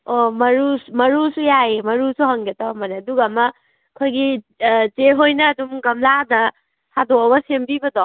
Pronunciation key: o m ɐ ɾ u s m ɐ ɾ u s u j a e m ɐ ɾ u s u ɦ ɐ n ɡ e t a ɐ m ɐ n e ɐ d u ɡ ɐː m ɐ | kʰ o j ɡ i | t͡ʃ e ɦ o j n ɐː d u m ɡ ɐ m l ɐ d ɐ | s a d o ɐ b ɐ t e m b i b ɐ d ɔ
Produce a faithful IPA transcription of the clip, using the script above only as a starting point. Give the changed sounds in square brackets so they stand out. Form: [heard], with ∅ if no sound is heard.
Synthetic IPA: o m ɐ ɾ u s m ɐ ɾ u s u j a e m ɐ ɾ u s u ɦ ɐ [ŋ] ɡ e t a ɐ m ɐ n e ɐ d u ɡ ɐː m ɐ | kʰ o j ɡ i | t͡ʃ e ɦ o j n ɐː d u m ɡ ɐ m l [a] d ɐ | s a d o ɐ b ɐ [s] e m b i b ɐ d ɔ